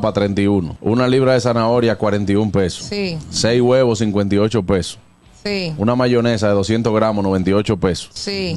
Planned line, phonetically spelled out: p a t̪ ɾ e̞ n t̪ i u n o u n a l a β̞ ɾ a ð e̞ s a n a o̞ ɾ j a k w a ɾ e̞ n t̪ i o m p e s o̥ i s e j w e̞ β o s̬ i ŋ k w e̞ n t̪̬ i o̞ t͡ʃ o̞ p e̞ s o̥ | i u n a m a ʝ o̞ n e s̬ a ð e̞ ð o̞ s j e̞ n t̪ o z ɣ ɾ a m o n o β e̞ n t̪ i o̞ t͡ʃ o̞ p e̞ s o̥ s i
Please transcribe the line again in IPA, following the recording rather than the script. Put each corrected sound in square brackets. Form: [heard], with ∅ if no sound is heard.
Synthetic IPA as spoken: p a t̪ ɾ e̞ n t̪ i u n o u n a l [i] β̞ ɾ a ð e̞ s a n a o̞ ɾ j a k w a ɾ e̞ n t̪ i [u] m p e s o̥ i s e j w e̞ β o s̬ i ŋ k w e̞ n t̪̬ i o̞ t͡ʃ o̞ p e̞ s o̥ | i u n a m a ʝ o̞ n e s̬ a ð e̞ ð o̞ s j e̞ n t̪ o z ɣ ɾ a m o n o β e̞ n t̪ i o̞ t͡ʃ o̞ p e̞ s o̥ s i